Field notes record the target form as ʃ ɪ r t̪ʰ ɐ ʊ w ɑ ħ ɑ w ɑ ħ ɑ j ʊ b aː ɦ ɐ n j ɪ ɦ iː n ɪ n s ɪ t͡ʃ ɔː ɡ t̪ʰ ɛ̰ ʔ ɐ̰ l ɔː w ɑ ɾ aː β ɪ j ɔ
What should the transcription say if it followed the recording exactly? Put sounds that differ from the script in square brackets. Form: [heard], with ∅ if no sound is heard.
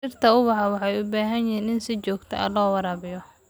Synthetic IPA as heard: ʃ ɪ r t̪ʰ ɐ ʊ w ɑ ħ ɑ w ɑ ħ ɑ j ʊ b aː ɦ ɐ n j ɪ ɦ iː n ɪ n s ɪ t͡ʃ ɔː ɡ t̪ʰ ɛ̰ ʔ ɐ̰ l ɔː w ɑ ɾ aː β ɪ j ɔ